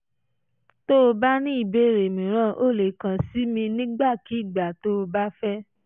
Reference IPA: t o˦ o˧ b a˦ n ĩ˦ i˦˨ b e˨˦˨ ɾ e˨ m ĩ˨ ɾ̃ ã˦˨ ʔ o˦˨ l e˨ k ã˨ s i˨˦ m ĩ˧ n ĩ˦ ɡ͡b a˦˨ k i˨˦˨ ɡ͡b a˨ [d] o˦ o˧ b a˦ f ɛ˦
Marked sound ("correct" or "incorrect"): incorrect